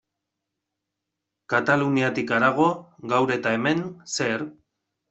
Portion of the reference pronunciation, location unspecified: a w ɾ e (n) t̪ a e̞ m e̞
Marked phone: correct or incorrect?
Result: incorrect